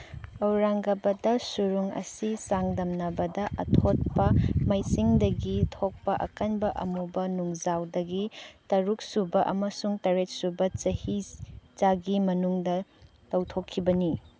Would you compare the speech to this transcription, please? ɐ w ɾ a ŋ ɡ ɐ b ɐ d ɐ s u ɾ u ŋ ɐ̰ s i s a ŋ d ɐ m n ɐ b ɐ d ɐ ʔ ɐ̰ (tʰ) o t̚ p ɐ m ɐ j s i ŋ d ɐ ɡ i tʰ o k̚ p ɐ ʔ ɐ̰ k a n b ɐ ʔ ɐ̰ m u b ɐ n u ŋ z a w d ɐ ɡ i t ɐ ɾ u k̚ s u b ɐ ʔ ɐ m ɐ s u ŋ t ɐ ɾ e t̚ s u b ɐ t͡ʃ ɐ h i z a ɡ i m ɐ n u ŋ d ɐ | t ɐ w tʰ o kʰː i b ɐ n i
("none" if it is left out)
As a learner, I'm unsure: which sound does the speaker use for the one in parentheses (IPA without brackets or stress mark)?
tʰ